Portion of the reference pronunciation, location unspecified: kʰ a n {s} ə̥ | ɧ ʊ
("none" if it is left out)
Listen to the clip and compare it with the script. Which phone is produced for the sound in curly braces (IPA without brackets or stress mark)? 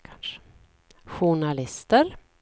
ʂ